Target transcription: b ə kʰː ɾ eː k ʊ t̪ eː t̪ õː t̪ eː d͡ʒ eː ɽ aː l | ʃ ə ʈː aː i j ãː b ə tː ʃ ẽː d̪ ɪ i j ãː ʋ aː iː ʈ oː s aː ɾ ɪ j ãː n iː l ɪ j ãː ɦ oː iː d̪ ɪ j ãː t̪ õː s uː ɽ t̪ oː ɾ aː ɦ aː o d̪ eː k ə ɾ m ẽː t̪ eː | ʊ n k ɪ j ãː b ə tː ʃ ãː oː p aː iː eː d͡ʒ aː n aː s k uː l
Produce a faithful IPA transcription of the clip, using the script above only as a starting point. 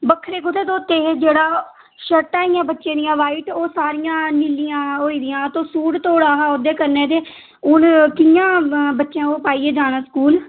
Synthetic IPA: b ə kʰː ɾ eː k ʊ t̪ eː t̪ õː t̪ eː d͡ʒ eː ɽ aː | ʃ ə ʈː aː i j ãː b ə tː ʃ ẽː d̪ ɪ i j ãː ʋ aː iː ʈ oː s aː ɾ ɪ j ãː n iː l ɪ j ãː ɦ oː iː d̪ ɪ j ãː t̪ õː s uː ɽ t̪ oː ɽ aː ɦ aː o d̪ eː k ə ɾ n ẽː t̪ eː | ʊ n k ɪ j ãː b ə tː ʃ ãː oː p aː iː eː d͡ʒ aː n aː s k uː l